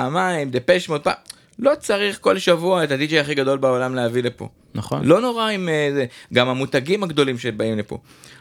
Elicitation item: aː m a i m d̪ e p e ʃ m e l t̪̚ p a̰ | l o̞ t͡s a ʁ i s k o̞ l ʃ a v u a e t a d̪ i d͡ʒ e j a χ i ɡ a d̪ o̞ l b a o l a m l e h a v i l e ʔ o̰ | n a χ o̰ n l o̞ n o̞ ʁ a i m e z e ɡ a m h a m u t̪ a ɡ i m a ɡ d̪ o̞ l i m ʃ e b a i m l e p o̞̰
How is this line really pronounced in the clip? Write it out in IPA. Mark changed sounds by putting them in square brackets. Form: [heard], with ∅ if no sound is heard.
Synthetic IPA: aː m a i m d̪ e p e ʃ m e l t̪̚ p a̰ | l o̞ t͡s a ʁ i [χ] k o̞ l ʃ a v u a e t a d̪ i d͡ʒ e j a χ i ɡ a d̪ o̞ l b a o l a m l e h a v i l e [p] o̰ | n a χ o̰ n l o̞ n o̞ ʁ a i m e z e ɡ a m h a m u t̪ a ɡ i m a ɡ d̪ o̞ l i m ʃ e b a i m l e p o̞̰